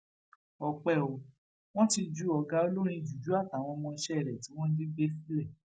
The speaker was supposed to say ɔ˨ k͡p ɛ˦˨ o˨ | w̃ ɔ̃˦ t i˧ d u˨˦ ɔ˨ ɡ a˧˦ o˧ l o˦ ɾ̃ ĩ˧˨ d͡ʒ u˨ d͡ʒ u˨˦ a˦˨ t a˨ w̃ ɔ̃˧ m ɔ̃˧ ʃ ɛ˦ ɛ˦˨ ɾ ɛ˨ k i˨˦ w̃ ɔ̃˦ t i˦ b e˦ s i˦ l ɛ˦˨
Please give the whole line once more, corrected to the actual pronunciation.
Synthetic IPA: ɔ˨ k͡p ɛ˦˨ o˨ | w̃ ɔ̃˦ t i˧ d͡ʒ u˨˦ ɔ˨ ɡ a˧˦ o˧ l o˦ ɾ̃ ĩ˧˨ d͡ʒ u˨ d͡ʒ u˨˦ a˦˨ t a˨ w̃ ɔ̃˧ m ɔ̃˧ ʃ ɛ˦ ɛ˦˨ ɾ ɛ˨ t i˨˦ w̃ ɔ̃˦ d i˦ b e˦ s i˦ l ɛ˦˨